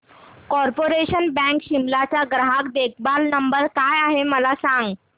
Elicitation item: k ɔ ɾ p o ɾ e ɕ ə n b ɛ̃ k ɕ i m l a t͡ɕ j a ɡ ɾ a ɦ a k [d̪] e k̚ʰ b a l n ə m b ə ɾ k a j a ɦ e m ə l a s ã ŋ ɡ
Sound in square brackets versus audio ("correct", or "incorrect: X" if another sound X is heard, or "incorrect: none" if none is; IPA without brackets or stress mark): correct